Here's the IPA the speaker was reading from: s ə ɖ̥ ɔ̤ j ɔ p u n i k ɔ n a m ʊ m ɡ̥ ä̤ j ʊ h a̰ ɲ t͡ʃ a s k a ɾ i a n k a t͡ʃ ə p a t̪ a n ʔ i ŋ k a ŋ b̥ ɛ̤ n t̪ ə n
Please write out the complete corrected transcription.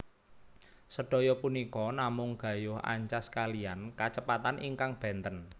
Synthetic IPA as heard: s ə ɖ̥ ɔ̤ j ɔ p u n i k ɔ n a m ʊ ŋ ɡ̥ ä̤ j ʊ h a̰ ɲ t͡ʃ a s k a l i a n k a t͡ʃ ə p a t̪ a n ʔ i ŋ k a ŋ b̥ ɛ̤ n t̪ ə n